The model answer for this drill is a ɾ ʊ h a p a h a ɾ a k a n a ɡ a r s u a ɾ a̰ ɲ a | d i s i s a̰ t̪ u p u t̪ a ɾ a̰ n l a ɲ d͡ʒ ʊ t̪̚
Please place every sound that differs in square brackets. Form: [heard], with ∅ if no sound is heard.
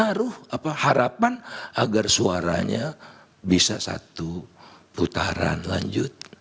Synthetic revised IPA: a ɾ ʊ h a p a h a ɾ a [p] a n a ɡ a r s u a ɾ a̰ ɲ a | [b] i s [a] s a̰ t̪ u p u t̪ a ɾ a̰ n l a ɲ d͡ʒ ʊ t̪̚